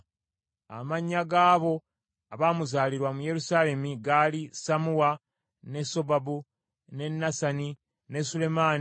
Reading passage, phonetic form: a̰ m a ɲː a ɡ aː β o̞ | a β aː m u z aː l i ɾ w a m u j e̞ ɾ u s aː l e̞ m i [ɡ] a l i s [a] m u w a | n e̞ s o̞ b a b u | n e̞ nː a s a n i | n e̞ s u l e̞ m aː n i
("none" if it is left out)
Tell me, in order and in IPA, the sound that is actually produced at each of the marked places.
ɡ, a

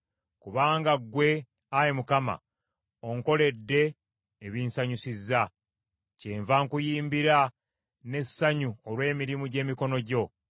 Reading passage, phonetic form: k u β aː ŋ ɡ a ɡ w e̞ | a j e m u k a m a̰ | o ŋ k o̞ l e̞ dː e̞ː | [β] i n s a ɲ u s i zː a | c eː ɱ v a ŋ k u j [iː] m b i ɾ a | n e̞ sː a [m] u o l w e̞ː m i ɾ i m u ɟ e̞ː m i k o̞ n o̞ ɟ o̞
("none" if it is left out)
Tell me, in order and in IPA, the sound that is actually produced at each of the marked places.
β, iː, ɲ

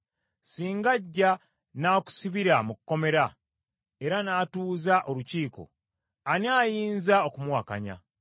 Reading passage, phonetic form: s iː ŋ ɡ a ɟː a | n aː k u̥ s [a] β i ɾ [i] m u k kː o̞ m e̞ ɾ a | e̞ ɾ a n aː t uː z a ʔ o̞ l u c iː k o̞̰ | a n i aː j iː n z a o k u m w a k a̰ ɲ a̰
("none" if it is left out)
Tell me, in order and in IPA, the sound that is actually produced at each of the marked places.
i, a

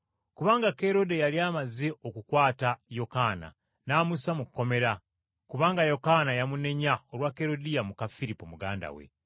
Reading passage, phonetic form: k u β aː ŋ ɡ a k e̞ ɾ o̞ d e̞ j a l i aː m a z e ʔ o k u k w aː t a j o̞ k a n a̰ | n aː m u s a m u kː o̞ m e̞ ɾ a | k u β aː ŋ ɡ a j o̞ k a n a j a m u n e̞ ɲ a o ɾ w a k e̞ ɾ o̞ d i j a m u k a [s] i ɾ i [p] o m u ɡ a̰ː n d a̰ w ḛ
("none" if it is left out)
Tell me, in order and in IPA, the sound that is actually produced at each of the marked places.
f, p

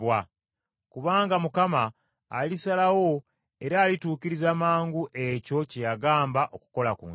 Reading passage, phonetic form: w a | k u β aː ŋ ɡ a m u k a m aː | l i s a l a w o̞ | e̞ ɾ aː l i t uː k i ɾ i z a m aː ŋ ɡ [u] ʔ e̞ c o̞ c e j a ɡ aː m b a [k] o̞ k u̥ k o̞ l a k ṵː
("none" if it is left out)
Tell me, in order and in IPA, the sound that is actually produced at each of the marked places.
u, ʔ

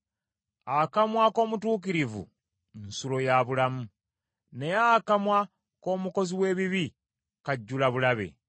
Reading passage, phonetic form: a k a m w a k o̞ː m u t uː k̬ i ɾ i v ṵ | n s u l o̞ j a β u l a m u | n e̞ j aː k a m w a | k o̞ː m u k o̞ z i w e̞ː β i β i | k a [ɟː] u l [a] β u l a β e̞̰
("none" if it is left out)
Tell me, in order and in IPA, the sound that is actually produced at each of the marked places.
ɟː, a

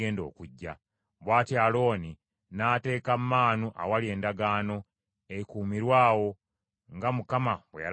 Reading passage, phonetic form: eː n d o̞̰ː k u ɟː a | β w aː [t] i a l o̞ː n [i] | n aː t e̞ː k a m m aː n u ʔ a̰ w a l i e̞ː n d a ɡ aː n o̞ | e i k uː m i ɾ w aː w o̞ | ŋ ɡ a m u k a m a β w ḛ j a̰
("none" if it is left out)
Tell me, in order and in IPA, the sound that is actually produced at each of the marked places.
t, i

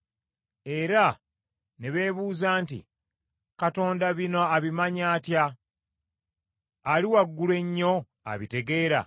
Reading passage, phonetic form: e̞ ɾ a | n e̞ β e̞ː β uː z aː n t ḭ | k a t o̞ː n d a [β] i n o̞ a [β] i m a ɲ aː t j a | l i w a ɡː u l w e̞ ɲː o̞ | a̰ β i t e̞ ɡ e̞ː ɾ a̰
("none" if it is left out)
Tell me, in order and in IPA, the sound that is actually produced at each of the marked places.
β, β

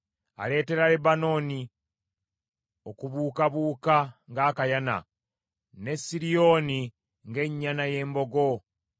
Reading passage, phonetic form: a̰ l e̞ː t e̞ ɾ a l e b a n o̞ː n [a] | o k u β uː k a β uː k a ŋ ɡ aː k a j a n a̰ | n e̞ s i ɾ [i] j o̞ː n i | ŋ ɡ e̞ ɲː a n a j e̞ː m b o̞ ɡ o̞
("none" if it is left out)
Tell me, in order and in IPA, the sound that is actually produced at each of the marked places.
i, i

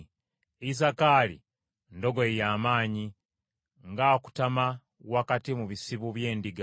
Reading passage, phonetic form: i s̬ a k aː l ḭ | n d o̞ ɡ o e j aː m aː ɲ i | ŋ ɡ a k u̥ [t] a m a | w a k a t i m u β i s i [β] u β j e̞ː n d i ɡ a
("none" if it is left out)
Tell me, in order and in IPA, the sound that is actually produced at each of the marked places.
t, β

